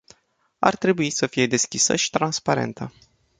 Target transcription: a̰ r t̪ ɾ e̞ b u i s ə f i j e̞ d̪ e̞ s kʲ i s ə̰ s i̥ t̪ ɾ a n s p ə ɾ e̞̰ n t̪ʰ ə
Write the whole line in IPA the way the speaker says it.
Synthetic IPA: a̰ r t̪ ɾ e̞ b u i s ə f i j e̞ d̪ e̞ s kʲ i s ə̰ ʃ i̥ t̪ ɾ a n s p a ɾ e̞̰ n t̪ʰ ə